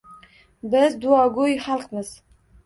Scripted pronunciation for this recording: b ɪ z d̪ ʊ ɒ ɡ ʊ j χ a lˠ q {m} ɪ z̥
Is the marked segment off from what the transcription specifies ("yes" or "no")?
no